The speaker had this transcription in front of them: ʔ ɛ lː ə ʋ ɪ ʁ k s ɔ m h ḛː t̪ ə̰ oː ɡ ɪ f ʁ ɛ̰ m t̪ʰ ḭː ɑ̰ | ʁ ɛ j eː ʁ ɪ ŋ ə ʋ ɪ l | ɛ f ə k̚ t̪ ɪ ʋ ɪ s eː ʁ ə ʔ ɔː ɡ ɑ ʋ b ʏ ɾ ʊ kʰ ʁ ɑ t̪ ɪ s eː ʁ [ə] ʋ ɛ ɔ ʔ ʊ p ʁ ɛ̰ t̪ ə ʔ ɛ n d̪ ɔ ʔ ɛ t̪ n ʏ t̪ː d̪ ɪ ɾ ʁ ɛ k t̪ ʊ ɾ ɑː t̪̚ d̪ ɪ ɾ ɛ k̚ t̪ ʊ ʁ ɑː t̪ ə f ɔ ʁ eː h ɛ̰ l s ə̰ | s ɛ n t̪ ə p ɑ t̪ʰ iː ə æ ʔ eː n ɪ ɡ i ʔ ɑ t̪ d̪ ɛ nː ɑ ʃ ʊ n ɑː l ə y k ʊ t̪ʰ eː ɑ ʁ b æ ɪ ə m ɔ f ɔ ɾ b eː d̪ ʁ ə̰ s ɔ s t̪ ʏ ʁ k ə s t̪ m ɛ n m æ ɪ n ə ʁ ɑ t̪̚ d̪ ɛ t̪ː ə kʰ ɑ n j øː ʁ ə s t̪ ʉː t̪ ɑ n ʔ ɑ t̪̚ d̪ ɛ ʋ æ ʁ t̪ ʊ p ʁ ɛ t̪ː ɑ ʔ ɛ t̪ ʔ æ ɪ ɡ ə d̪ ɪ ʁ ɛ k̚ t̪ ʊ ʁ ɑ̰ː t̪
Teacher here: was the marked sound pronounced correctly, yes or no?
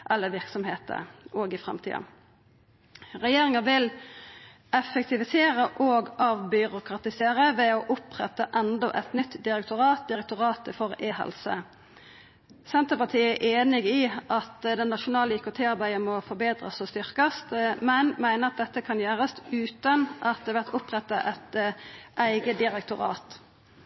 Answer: yes